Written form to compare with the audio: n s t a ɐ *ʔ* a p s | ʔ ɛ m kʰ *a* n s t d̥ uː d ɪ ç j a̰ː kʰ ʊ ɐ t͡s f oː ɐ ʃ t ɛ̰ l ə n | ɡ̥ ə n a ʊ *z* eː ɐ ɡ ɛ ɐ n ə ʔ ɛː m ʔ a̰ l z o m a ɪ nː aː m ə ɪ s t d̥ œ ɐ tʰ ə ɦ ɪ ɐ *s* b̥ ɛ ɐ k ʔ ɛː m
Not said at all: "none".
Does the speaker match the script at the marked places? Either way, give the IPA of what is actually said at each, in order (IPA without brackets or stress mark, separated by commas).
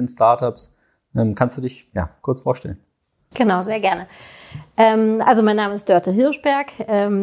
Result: t, a, z, ʃ